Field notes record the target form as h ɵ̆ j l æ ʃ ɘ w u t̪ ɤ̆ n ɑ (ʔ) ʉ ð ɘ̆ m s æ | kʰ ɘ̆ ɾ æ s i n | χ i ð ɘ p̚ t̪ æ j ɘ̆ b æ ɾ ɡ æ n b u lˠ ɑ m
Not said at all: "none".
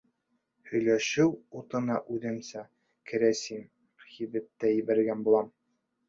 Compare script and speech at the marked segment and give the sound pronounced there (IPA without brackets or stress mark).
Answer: ʔ